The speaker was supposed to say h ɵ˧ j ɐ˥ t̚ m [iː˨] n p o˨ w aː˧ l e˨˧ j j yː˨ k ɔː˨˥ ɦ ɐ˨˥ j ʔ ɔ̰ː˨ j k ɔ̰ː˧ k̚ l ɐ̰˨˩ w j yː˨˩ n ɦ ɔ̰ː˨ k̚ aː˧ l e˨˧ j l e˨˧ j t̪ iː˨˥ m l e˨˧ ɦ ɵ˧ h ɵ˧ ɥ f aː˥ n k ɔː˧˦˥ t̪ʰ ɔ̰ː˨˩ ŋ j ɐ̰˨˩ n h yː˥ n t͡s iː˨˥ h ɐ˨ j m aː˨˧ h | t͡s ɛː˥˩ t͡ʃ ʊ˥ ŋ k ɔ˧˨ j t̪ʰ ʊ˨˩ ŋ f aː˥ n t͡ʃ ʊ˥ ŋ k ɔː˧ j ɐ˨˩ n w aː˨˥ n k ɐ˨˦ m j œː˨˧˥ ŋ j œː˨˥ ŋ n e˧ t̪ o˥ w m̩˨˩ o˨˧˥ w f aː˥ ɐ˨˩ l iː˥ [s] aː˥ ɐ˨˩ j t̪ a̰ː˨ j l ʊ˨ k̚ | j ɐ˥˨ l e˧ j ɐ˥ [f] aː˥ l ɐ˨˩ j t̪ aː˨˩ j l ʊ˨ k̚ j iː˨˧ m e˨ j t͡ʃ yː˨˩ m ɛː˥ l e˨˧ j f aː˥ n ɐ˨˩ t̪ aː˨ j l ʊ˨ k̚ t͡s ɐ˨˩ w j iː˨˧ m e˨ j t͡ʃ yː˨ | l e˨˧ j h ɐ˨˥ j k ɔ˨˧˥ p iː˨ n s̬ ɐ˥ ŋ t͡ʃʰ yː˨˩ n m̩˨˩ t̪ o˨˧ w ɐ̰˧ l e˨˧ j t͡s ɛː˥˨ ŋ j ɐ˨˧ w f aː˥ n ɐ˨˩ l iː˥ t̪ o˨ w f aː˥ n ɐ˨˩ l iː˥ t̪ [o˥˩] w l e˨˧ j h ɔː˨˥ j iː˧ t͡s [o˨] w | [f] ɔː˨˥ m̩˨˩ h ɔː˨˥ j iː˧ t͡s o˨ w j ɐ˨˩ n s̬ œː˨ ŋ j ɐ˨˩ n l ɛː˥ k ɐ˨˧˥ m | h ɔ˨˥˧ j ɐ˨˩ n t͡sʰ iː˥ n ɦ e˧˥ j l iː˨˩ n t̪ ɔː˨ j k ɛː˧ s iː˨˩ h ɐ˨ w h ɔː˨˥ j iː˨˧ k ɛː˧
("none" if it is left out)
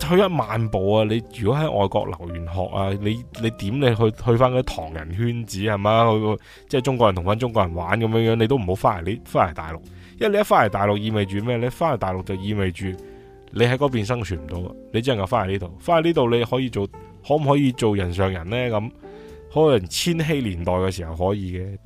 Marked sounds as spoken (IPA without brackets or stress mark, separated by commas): aː˨, f, f, o˨, o˨, h